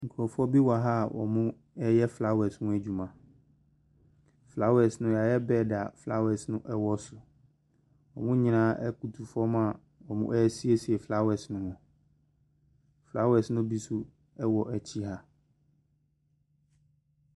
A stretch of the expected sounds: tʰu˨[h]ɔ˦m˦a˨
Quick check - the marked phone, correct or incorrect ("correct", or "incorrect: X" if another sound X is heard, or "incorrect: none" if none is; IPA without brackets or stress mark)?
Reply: incorrect: f